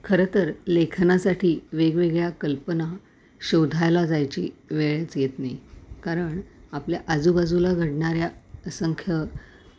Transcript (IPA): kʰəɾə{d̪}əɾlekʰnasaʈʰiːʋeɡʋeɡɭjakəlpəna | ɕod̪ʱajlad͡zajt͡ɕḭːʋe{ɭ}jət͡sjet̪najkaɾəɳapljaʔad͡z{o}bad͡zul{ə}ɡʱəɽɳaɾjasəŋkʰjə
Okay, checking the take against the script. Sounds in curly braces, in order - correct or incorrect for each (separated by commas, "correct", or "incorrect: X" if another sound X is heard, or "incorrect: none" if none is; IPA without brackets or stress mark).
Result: incorrect: t̪, correct, incorrect: u, incorrect: a